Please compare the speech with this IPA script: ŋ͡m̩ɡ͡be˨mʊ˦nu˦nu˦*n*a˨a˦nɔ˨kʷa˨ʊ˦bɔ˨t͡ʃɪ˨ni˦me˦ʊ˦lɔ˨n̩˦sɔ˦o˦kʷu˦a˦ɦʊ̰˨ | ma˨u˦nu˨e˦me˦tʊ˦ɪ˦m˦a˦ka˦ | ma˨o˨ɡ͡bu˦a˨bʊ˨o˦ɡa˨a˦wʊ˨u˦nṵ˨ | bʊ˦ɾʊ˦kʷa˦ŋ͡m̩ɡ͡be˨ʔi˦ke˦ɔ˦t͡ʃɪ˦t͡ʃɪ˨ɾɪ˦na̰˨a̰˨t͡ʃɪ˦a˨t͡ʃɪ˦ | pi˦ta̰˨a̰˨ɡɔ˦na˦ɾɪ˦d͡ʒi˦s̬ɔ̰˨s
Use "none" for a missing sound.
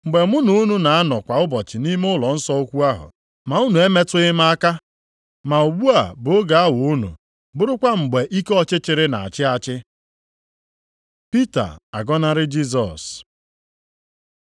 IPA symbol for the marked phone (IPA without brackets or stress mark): n